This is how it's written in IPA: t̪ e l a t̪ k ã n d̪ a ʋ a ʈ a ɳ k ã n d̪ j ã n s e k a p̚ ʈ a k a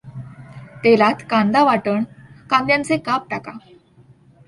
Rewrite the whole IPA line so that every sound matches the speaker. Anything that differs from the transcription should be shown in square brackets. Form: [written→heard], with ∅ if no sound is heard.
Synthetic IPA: t̪ e l a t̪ k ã n d̪ a ʋ a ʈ [a→ə] ɳ k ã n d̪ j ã n [s→t͡s] e k a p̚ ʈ a k a